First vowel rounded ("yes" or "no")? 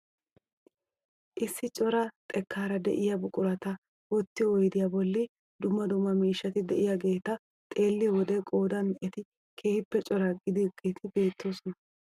no